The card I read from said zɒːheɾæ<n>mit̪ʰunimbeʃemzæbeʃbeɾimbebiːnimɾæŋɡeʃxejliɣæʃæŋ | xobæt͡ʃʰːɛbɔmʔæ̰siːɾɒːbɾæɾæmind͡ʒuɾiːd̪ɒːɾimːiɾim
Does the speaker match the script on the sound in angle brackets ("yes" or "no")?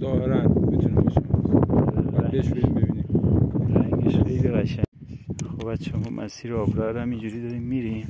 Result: yes